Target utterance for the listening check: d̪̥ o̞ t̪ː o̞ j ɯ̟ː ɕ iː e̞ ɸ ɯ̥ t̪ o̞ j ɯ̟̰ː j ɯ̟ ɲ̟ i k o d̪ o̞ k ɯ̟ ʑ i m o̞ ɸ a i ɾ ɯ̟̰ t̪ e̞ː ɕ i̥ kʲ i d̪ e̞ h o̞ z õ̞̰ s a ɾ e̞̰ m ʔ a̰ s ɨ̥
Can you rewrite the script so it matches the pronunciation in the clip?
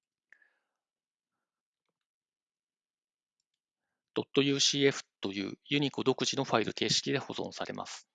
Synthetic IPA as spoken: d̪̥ o̞ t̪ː o̞ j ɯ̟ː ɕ iː e̞ ɸ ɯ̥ t̪ o̞ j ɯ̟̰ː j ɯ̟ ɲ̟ i k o d̪ o̞ k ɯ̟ ʑ i n o̞ ɸ a i ɾ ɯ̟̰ t̪ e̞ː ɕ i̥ kʲ i d̪ e̞ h o̞ z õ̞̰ s a ɾ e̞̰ m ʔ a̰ s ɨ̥